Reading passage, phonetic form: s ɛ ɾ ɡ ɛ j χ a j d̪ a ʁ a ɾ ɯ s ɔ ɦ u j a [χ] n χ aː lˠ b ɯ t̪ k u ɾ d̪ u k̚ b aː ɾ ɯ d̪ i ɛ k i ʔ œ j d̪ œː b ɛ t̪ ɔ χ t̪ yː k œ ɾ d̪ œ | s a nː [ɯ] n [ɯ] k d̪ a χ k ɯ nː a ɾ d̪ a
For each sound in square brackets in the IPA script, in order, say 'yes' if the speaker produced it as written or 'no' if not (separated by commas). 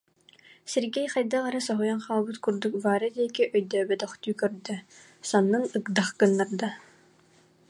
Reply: no, yes, yes